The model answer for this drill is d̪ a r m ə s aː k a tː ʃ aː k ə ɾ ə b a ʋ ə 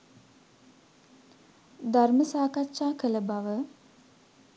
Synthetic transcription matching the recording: d̪ a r m ə s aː k a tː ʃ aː k ə l ə b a ʋ ə

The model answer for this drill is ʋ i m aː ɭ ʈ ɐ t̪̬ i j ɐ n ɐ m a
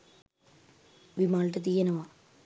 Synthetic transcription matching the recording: ʋ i m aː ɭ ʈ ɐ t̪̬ i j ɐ n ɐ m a

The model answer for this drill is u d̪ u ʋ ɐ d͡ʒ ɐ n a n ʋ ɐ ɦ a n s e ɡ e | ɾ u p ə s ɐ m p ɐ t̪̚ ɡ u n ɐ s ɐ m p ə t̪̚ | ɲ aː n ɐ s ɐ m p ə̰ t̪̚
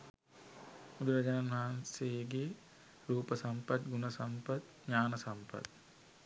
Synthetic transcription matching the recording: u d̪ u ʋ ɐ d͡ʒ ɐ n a n ʋ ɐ ɦ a n s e ɡ e | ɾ uː p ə s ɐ m p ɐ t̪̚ ɡ u n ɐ s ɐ m p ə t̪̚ | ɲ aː n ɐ s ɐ m p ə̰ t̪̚

